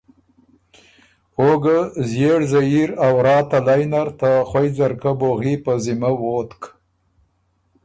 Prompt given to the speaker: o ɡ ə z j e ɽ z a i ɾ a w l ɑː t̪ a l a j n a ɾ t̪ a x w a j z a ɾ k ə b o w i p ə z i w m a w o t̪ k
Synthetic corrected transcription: o ɡ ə z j e ɽ z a i ɾ a w ɾ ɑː t̪ a l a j n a ɾ t̪ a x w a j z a ɾ k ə b o ɣ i p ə z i m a w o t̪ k